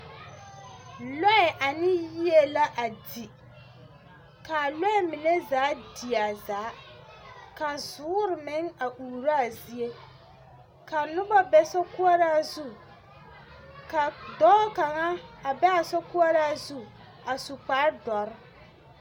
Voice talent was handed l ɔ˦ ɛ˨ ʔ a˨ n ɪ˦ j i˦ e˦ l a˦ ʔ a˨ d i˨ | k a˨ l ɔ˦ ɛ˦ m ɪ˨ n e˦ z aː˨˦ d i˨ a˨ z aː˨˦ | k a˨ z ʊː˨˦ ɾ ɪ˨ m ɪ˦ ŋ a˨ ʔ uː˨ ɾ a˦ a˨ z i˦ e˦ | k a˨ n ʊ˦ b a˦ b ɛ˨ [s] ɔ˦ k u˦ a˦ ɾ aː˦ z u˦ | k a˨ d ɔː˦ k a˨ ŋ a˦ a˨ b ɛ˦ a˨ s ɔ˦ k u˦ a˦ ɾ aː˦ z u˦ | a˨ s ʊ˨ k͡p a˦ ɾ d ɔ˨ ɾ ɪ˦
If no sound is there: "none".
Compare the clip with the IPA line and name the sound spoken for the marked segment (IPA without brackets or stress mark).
s